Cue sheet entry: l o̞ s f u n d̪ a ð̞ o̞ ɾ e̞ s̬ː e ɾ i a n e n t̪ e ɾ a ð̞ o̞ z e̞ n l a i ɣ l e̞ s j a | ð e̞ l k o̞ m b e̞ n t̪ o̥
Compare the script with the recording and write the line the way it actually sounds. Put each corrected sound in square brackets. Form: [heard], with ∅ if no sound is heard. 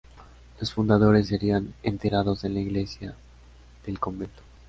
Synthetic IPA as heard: l o̞ s f u n d̪ a ð̞ o̞ ɾ e̞ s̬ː e ɾ i a n e n t̪ e ɾ a ð̞ o̞ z e̞ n l a i ɣ l e̞ s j a | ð e̞ l k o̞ m b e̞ n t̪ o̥